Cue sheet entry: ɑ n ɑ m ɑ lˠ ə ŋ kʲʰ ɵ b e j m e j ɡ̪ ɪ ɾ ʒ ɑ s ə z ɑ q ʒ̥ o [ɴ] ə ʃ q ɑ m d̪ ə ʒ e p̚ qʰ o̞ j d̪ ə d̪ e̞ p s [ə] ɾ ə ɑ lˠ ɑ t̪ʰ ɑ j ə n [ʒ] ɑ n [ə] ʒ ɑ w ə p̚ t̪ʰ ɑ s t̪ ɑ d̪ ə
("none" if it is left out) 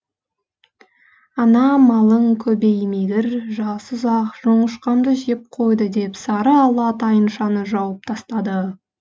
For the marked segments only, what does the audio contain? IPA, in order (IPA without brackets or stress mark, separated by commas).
ɴ, ɑ, ʃ, ə